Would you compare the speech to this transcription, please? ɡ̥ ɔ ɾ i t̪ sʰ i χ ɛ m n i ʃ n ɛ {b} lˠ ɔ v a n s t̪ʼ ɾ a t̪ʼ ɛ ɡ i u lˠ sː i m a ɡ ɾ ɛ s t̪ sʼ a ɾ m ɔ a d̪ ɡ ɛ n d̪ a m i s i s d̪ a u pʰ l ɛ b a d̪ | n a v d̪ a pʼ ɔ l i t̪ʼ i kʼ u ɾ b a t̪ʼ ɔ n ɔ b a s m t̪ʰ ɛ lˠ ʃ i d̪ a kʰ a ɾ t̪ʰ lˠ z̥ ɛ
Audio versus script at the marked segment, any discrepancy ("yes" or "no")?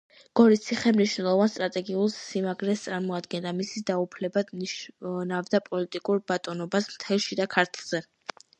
yes